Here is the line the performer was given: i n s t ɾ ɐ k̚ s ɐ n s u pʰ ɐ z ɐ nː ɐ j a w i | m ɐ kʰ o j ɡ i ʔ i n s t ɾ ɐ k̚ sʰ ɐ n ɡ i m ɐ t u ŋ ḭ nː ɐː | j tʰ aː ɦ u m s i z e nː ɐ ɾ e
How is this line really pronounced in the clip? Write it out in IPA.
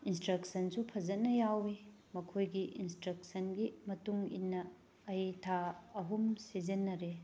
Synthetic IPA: i n s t ɾ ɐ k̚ s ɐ n s u pʰ ɐ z ɐ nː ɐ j a w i | m ɐ kʰ o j ɡ i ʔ i n s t ɾ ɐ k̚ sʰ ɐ n ɡ i m ɐ t u ŋ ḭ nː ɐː | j tʰ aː ɦ u m s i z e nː ɐ ɾ e